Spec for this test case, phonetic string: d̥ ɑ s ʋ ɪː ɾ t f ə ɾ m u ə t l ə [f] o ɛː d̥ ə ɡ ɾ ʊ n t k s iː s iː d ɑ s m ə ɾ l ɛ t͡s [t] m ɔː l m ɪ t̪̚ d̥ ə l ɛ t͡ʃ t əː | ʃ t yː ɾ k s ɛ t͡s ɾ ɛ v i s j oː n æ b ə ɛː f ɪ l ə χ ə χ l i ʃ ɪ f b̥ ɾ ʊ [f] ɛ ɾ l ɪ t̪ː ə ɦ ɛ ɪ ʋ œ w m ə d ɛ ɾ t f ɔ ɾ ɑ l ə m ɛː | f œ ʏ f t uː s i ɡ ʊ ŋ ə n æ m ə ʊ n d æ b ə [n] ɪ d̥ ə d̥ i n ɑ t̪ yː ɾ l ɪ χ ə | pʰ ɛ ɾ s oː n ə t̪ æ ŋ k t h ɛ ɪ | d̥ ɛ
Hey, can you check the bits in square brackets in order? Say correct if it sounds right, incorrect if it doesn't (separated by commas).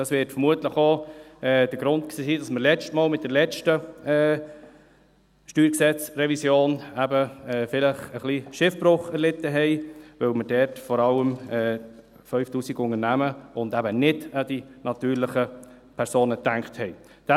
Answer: incorrect, correct, incorrect, correct